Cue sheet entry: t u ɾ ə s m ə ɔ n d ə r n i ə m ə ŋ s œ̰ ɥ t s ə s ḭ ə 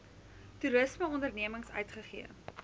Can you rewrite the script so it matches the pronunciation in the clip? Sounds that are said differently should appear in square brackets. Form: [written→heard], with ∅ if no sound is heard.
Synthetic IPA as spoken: t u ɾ ə s m ə ɔ n d ə r n i ə m ə ŋ s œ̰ ɥ t [s→χ] ə [s→χ] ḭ ə